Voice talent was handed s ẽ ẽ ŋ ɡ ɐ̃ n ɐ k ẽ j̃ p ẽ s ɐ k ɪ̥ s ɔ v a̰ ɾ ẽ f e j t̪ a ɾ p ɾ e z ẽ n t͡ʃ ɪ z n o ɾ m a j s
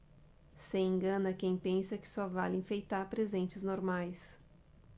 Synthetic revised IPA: s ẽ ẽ ŋ ɡ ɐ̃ n ɐ k ẽ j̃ p ẽ s ɐ k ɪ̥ s ɔ v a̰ l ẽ f e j t̪ a ɾ p ɾ e z ẽ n t͡ʃ ɪ z n o ɾ m a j s